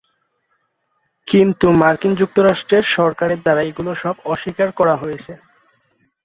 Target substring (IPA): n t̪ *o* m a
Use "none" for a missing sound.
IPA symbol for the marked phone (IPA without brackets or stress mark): u